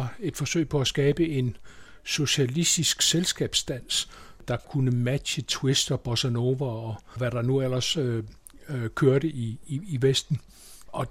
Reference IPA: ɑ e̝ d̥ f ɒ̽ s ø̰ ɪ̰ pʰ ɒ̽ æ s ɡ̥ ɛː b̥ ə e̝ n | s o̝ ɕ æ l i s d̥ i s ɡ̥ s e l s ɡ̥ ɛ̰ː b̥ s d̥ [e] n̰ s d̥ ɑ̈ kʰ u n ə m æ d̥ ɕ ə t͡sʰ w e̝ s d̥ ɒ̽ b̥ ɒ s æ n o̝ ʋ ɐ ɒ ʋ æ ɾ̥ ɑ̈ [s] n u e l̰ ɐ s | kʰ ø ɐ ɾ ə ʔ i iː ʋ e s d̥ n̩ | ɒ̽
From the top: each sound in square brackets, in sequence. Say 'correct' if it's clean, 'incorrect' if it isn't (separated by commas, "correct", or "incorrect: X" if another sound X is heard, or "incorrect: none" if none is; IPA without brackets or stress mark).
incorrect: æ, incorrect: none